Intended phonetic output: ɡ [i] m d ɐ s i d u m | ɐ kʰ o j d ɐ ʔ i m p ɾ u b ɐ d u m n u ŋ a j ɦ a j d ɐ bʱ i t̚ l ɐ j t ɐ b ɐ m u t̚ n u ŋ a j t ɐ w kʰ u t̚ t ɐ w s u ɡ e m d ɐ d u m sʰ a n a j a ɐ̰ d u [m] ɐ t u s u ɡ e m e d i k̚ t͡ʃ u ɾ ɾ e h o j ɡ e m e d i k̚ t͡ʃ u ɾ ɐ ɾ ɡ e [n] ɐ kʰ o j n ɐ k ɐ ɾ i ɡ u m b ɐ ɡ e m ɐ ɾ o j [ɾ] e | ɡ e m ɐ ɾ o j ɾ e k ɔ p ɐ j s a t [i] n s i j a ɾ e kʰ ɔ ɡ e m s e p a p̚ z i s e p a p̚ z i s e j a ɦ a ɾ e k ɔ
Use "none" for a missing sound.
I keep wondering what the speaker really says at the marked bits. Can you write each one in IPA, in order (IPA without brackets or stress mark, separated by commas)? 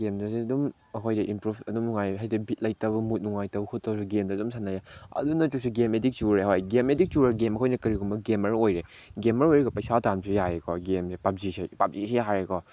e, n, m, ɾ, a